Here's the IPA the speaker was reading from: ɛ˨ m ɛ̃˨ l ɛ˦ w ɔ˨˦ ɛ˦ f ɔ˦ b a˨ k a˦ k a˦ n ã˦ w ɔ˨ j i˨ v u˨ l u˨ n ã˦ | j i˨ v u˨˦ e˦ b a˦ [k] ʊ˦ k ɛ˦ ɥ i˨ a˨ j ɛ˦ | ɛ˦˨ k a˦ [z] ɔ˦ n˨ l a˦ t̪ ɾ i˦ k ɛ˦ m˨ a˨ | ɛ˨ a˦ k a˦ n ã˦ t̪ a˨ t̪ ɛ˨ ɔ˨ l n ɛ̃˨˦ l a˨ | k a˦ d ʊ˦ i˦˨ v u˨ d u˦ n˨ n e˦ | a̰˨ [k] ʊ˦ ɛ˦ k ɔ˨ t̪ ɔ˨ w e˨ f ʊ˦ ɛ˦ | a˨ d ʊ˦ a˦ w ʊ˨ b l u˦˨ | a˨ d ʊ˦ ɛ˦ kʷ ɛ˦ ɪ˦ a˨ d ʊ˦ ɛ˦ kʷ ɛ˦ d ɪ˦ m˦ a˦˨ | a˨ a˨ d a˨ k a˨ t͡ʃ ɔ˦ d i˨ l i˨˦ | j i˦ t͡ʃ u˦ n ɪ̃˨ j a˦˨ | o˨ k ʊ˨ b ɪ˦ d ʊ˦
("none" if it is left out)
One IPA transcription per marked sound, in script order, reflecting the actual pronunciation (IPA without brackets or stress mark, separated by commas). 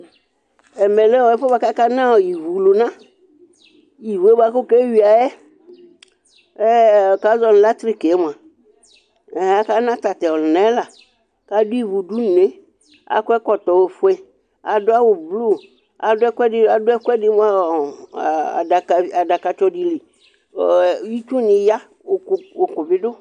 k, z, k